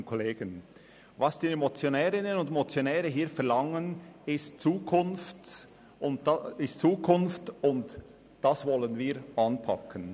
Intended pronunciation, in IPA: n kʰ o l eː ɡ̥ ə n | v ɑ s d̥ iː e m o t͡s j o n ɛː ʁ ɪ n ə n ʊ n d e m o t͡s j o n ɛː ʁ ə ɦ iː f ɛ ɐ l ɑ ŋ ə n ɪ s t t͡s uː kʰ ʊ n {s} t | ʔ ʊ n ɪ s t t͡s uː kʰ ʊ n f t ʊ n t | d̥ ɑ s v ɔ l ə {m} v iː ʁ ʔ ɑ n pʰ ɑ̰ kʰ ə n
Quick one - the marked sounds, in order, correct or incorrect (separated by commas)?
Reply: incorrect, incorrect